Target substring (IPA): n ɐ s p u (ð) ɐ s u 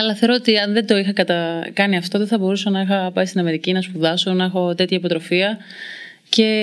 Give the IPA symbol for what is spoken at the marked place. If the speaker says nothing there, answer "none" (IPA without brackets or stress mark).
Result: ð